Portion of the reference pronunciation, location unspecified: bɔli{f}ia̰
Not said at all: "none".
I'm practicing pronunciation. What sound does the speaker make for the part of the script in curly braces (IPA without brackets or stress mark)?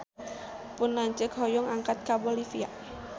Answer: f